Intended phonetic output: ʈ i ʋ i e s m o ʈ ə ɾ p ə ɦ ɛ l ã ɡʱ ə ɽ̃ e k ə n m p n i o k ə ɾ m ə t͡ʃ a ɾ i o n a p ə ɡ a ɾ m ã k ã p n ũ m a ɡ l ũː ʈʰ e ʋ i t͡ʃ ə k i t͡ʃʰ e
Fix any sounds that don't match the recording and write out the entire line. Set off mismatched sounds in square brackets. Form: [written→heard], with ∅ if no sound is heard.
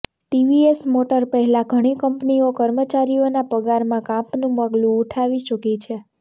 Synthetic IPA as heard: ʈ i ʋ i e s m o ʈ ə ɾ p ə ɦ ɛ l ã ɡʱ ə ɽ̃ [e→i] k ə [n→∅] m p n i o k ə ɾ m ə t͡ʃ a ɾ i o n a p ə ɡ a ɾ m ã k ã p n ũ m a ɡ l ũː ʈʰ [e→a] ʋ i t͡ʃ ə k i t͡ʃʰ e